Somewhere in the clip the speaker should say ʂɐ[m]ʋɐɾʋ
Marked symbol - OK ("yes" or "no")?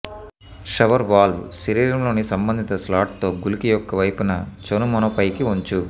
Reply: no